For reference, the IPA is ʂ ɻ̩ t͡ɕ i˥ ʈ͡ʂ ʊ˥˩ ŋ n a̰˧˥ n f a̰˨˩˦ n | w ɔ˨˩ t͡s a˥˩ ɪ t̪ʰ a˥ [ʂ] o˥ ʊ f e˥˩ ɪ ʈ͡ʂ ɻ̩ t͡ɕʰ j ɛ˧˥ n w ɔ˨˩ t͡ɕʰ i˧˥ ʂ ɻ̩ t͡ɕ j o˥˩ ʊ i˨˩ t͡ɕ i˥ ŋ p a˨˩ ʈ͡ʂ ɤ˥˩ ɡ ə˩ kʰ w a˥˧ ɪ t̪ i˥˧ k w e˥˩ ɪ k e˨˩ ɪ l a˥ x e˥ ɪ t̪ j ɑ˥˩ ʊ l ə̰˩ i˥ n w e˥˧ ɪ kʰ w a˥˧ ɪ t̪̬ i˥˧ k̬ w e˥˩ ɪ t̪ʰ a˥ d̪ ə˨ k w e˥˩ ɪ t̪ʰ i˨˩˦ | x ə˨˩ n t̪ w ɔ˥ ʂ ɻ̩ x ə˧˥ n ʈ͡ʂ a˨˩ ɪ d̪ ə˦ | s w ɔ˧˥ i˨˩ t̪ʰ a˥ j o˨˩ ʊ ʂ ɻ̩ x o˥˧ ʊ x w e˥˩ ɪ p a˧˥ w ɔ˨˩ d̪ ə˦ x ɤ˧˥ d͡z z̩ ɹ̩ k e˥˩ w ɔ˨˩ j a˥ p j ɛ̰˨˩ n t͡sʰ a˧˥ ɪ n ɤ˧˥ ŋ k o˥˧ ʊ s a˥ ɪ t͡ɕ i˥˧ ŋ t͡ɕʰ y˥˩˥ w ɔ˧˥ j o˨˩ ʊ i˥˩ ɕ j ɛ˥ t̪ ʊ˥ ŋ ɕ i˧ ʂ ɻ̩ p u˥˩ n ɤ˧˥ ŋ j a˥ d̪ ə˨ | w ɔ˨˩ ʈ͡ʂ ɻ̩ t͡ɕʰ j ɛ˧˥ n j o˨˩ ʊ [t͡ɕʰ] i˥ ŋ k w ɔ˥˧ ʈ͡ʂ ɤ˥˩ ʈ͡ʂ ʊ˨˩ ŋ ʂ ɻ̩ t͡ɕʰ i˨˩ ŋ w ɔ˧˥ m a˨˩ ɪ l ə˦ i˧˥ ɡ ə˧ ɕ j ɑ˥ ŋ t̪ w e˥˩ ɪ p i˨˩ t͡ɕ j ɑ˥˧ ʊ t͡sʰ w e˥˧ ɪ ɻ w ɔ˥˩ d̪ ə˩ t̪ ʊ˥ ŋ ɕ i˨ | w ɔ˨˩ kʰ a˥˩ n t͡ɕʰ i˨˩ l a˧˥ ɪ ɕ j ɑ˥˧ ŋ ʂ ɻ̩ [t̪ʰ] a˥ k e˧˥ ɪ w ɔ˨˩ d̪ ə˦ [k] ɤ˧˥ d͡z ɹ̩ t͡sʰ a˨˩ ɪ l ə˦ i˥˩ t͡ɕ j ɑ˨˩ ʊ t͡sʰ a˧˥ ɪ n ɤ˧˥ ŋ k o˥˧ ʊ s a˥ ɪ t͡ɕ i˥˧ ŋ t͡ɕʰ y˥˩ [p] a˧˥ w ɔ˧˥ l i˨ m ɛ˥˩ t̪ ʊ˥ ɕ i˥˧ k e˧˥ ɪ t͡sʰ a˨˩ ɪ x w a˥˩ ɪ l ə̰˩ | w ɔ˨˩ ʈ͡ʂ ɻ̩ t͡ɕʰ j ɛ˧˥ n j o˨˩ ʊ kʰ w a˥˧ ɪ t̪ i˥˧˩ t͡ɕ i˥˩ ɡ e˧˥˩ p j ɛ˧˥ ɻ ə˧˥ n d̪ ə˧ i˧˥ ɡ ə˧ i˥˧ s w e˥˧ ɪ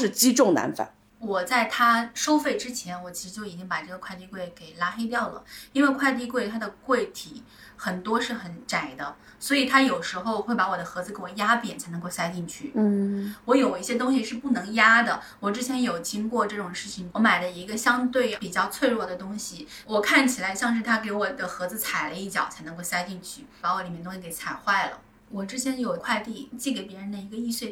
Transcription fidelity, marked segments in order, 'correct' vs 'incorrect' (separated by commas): correct, incorrect, correct, incorrect, correct